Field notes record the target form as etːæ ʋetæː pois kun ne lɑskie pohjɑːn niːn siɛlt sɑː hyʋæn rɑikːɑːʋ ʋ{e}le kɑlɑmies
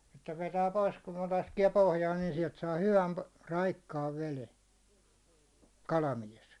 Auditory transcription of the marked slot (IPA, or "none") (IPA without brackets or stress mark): e